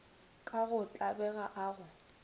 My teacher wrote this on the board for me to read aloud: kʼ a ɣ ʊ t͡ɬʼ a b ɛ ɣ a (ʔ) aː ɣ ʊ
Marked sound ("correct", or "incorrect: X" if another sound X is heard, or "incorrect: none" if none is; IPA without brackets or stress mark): correct